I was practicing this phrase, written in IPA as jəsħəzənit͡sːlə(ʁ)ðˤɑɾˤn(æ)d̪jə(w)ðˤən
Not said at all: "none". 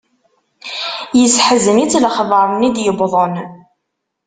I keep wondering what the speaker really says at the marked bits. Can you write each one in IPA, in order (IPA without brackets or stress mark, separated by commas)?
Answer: χ, i, b